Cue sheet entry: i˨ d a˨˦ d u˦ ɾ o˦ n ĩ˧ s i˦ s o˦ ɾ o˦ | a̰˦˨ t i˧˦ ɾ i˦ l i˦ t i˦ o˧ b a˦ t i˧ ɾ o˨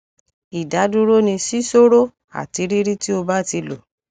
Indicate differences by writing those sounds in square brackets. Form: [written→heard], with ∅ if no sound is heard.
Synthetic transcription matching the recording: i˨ d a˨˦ d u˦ ɾ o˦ n ĩ˧ s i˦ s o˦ ɾ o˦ | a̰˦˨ t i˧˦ ɾ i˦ [l→ɾ] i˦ t i˦ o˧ b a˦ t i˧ [ɾ→l] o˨